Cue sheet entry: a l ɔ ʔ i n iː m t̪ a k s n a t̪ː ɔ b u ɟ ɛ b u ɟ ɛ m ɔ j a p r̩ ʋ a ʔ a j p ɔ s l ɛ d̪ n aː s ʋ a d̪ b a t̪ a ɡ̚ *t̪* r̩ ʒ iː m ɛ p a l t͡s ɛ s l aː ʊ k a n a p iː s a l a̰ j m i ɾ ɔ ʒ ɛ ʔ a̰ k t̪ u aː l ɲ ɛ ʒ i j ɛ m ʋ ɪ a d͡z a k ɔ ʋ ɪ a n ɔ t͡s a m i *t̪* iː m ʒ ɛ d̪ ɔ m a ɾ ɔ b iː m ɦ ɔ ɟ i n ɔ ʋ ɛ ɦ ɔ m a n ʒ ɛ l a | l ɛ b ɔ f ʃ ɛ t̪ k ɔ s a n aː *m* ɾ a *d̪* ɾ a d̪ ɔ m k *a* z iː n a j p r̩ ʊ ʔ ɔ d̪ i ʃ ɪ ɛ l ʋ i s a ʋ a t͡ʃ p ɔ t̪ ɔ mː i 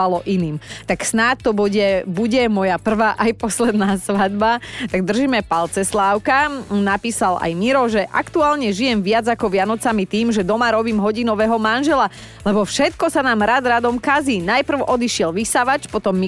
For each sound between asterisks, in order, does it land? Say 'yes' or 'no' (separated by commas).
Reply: no, yes, yes, yes, yes